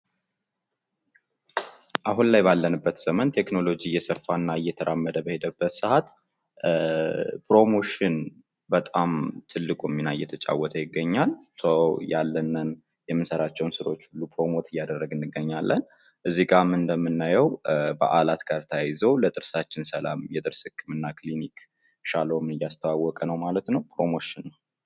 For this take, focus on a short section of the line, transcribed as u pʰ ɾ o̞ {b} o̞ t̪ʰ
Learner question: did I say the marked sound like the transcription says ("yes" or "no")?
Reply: no